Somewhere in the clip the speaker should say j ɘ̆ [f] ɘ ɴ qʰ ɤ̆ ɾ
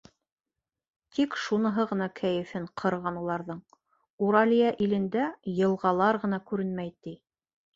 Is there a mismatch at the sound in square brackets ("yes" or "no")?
no